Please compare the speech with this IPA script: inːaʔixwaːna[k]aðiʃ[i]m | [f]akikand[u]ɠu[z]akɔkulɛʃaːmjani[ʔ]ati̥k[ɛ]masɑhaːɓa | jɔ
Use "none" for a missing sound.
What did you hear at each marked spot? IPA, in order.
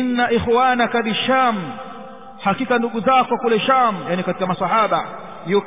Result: k, a, h, u, z, k, a

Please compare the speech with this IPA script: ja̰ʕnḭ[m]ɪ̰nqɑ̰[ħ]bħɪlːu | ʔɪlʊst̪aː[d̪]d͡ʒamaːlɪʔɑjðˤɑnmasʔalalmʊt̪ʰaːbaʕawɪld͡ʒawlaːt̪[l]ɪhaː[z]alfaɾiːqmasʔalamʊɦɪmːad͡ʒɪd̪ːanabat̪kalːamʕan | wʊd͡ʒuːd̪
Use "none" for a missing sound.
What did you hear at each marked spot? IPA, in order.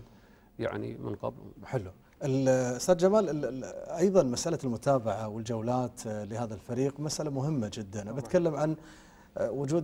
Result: m, none, d̪, l, ð

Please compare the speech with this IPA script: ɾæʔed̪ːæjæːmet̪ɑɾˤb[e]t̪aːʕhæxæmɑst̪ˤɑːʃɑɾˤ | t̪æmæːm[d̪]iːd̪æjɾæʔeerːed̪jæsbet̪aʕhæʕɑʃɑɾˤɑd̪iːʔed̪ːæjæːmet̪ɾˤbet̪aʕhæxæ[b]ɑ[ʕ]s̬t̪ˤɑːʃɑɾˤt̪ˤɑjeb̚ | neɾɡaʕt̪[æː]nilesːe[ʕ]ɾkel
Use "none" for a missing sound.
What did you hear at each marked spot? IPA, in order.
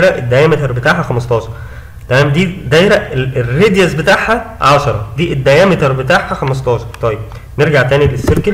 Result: e, d̪, m, none, æː, none

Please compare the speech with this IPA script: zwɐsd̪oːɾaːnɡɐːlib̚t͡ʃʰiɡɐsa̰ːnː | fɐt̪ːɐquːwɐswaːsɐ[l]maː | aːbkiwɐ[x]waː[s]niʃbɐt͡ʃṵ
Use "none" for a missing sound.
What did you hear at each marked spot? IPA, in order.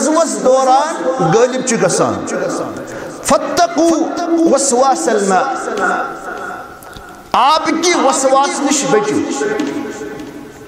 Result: l, s, s

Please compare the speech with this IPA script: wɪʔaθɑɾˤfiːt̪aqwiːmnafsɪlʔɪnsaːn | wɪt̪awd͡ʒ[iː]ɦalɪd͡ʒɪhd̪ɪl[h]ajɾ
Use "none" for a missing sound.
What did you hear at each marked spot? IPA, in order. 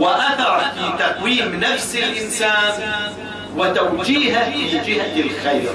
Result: iː, x

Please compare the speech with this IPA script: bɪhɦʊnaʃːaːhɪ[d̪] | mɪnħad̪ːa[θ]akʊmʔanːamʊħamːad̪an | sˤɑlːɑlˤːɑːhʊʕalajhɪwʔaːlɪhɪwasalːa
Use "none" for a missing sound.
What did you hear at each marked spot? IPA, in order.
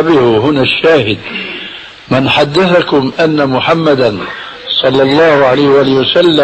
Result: d̪, θ

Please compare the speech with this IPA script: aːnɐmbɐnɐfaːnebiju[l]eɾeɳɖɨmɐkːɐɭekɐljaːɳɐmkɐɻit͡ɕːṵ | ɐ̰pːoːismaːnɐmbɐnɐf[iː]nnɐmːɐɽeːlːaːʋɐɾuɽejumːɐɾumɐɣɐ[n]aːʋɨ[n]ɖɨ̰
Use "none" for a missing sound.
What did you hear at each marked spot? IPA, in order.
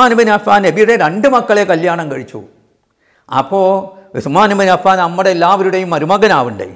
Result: ɽ, aː, n, ɳ

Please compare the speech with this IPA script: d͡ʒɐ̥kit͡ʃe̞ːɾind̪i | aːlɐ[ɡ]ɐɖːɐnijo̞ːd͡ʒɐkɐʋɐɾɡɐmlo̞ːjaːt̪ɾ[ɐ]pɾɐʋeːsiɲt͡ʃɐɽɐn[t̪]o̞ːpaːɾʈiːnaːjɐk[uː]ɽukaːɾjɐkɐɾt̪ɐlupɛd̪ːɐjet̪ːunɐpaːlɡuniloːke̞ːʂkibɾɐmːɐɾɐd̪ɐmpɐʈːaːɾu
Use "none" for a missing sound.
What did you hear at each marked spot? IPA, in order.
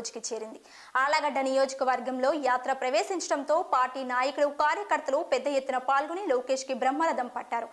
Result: ɡ, ɐ, t̪, u

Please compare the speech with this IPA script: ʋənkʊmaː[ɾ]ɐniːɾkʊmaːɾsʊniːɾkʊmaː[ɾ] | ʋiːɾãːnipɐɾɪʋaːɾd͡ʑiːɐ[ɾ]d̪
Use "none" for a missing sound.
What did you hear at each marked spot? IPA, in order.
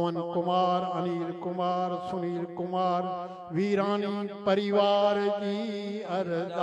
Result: ɾ, ɾ, ɾ

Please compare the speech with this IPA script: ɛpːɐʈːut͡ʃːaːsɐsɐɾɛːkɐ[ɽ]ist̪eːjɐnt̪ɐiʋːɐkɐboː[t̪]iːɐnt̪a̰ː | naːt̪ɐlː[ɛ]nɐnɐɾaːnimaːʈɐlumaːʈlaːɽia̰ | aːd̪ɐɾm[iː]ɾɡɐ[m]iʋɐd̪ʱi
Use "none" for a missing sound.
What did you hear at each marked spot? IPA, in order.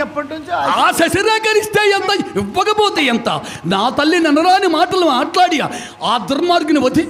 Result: ɾ, t̪, i, aː, n

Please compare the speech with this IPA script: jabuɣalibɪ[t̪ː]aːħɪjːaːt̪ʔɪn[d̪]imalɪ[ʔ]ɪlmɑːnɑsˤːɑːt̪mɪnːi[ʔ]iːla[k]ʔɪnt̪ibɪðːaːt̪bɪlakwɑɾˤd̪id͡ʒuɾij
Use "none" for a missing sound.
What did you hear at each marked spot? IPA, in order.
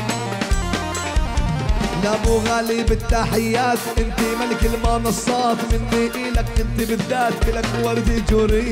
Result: t̪ː, t̪, k, ʔ, k

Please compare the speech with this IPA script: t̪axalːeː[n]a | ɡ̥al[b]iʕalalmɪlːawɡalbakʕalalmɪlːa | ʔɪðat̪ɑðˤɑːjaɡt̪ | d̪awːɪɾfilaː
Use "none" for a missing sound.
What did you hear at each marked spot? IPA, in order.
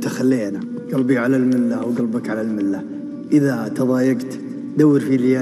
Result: n, b

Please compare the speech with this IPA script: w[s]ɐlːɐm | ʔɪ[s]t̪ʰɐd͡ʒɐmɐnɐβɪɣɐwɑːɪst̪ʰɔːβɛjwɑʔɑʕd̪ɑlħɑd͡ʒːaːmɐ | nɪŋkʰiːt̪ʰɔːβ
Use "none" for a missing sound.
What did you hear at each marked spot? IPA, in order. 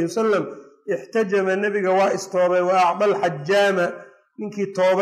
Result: s, ħ

